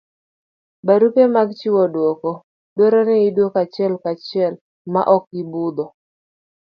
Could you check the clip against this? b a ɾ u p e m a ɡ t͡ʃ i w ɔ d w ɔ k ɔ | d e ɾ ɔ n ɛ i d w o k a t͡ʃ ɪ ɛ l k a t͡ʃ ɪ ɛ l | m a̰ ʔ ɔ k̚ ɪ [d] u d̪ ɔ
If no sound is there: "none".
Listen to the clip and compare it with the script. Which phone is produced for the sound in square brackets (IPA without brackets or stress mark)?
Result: b